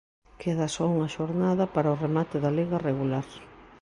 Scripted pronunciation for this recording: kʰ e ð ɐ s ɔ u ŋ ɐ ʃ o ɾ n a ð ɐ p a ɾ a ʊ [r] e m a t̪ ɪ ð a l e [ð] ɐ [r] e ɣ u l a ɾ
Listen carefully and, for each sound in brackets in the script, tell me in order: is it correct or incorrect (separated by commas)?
correct, incorrect, correct